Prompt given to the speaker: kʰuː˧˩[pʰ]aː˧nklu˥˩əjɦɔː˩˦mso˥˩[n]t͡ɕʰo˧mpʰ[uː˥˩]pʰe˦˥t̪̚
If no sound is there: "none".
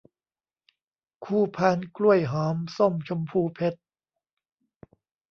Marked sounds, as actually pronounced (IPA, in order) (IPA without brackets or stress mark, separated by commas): pʰ, m, uː˧